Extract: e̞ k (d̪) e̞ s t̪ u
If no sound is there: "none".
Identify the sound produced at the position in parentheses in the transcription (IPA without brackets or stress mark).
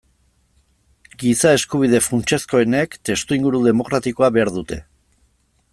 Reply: t̪